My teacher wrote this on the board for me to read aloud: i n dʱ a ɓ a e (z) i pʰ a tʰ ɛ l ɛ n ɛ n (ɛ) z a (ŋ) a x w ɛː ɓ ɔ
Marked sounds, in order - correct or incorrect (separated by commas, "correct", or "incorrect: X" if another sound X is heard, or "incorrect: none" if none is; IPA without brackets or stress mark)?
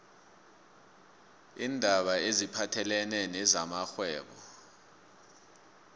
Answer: correct, correct, incorrect: m